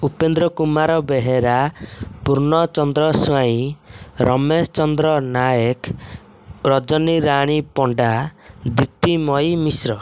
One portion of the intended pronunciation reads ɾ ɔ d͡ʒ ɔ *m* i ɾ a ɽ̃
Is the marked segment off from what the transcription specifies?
yes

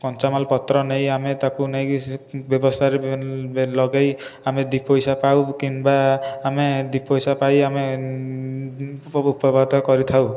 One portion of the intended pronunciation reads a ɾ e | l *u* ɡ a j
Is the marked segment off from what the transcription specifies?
yes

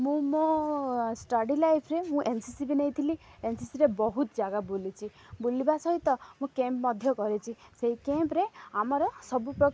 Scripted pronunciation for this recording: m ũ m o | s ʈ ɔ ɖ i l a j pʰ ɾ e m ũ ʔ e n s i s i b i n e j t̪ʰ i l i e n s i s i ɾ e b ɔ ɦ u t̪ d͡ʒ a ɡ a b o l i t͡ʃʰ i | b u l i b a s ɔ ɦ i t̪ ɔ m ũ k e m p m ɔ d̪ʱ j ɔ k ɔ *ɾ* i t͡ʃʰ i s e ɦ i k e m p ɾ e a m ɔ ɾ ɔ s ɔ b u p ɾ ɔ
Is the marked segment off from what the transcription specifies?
no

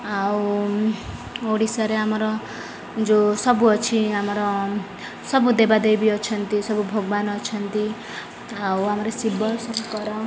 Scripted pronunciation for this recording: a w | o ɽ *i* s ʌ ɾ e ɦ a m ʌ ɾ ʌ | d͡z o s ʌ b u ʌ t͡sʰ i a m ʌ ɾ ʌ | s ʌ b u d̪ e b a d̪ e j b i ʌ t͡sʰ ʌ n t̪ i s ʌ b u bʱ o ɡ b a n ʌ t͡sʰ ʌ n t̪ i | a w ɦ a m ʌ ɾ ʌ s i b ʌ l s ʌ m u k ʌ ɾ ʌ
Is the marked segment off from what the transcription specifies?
no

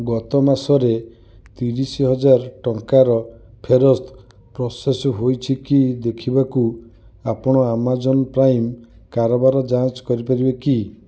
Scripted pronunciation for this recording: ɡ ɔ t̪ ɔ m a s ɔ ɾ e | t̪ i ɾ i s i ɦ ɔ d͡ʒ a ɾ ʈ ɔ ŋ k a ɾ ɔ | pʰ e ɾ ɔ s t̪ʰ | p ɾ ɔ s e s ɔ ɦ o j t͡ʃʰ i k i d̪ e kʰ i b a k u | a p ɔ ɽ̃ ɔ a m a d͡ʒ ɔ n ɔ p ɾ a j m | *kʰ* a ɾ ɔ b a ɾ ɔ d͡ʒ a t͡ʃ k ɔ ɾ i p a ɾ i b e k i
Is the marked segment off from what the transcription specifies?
yes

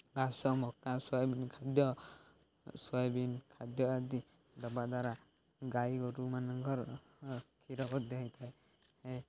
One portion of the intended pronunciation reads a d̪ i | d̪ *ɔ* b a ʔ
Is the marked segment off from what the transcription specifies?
no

